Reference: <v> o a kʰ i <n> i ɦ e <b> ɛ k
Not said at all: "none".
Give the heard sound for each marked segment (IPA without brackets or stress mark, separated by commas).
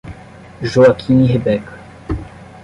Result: ʒ, n, b